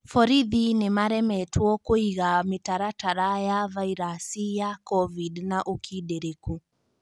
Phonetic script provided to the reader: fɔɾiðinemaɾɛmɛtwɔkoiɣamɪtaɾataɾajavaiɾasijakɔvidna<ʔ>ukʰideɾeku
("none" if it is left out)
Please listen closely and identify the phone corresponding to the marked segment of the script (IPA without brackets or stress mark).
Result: ʔ